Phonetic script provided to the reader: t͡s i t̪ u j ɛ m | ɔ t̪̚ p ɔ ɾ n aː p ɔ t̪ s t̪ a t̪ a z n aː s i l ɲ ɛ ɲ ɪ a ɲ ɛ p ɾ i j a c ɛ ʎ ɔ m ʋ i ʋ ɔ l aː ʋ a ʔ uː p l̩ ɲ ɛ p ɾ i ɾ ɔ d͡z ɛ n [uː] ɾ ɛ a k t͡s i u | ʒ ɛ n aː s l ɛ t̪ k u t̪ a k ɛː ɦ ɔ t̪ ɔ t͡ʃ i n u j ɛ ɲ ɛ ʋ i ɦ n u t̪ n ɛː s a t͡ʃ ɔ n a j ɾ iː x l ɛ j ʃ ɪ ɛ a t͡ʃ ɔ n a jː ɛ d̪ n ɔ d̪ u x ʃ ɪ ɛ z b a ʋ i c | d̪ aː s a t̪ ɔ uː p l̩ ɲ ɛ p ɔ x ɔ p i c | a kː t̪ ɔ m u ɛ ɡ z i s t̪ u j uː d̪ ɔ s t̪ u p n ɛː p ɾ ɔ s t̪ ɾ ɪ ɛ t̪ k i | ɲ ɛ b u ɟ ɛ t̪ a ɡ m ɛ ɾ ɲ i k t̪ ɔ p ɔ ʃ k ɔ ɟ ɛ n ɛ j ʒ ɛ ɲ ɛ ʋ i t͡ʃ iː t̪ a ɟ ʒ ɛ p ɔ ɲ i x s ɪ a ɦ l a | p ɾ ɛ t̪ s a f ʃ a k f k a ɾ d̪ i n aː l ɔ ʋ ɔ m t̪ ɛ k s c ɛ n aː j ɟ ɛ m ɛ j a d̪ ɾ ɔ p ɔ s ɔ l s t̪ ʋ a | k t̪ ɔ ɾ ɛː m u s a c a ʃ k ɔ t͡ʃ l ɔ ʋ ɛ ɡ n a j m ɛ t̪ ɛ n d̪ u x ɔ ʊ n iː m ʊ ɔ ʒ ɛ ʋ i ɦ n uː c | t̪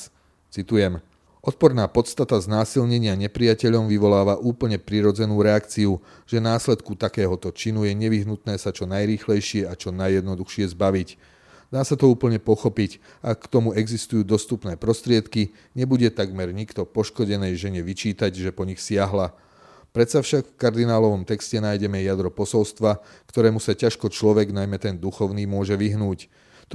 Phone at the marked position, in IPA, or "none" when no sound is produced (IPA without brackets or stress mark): uː